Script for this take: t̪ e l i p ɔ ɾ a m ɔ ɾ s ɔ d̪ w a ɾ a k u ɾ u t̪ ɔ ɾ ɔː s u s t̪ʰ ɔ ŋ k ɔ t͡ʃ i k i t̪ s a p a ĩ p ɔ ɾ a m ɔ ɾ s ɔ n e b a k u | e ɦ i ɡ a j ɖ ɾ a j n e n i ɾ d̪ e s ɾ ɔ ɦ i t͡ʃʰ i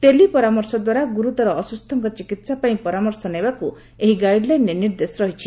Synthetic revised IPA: t̪ e l i p ɔ ɾ a m ɔ ɾ s ɔ d̪ w a ɾ a ɡ u ɾ u t̪ ɔ ɾ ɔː s u s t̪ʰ ɔ ŋ k ɔ t͡ʃ i k i t̪ s a p a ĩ p ɔ ɾ a m ɔ ɾ s ɔ n e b a k u | e ɦ i ɡ a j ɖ l a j n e n i ɾ d̪ e s ɾ ɔ ɦ i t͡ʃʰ i